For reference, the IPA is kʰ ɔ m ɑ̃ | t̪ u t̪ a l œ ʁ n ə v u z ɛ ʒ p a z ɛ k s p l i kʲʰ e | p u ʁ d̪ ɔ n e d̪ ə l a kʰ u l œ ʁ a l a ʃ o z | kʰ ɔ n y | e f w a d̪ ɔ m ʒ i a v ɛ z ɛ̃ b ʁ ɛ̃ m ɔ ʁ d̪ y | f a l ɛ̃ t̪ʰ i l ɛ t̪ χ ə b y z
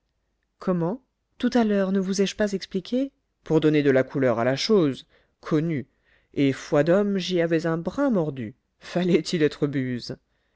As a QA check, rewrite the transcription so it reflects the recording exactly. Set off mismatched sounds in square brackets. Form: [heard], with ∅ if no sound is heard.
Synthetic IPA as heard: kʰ ɔ m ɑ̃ | t̪ u t̪ a l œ ʁ n ə v u z ɛ ʒ p a z ɛ k s p l i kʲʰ e | p u ʁ d̪ ɔ n e d̪ ə l a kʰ u l œ ʁ a l a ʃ o z | kʰ ɔ n y | e f w a d̪ ɔ m ʒ i a v ɛ z ɛ̃ b ʁ ɛ̃ m ɔ ʁ d̪ y | f a l [ɛ] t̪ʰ i l ɛ t̪ χ ə b y z